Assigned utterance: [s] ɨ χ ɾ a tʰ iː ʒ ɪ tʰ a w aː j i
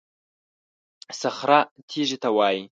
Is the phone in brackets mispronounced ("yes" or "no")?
no